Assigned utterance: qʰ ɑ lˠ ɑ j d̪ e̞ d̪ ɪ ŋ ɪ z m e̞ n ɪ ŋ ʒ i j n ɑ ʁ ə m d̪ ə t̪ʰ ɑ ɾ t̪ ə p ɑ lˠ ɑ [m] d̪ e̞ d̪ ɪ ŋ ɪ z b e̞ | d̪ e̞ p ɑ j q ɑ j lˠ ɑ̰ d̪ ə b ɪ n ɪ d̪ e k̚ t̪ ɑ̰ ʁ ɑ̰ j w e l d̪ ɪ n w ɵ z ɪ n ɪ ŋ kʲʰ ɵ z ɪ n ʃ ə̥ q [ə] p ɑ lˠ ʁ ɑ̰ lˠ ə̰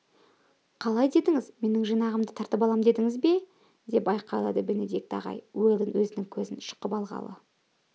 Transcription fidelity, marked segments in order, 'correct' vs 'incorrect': correct, correct

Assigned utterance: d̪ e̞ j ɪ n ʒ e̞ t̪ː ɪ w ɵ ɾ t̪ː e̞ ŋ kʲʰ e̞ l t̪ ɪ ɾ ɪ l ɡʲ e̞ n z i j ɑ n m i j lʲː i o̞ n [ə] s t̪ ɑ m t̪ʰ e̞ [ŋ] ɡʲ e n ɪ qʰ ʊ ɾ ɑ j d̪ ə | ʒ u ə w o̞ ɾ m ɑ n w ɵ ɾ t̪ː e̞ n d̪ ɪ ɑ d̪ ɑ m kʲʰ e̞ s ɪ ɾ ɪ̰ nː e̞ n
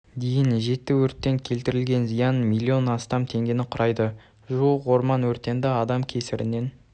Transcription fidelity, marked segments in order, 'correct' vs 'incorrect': incorrect, correct

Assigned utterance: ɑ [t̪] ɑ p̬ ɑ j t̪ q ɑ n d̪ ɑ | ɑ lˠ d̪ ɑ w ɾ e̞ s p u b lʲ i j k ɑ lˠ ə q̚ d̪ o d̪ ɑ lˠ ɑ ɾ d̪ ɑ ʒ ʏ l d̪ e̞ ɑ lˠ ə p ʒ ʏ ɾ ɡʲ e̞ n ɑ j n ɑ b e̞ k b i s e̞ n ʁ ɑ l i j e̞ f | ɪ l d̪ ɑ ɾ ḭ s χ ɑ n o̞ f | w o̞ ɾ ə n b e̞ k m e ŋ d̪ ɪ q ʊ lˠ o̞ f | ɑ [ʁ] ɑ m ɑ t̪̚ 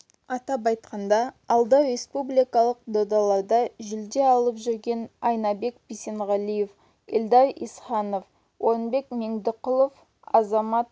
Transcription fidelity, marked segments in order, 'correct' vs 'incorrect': correct, incorrect

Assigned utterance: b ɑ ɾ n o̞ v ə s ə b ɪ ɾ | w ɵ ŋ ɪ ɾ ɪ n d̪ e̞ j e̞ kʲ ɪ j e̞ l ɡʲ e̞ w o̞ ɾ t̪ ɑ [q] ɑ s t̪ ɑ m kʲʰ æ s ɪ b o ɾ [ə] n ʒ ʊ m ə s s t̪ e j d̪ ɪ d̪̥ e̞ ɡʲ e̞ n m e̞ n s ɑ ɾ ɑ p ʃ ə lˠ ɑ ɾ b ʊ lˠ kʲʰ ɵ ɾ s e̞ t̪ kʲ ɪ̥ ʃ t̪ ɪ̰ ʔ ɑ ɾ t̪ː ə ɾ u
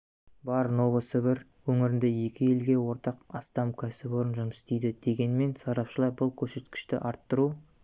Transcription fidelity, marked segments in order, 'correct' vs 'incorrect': correct, correct

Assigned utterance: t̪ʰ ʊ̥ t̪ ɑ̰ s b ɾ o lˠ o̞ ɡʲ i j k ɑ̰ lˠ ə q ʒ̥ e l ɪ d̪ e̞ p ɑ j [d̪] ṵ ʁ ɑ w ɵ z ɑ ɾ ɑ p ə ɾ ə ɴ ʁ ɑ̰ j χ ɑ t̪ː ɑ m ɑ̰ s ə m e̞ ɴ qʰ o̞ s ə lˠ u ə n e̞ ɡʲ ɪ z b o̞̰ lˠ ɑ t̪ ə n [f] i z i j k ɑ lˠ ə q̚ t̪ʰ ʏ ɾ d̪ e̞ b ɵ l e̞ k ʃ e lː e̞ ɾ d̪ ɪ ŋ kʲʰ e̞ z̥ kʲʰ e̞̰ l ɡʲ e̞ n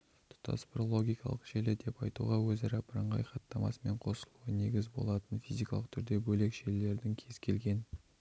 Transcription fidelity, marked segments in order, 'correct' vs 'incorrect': incorrect, correct

